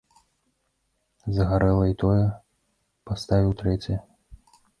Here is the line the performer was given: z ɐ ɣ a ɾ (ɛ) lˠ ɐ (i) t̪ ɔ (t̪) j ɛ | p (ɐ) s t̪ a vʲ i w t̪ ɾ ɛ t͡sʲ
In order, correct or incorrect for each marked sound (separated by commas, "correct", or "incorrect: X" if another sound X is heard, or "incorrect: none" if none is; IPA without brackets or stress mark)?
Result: correct, correct, incorrect: none, incorrect: a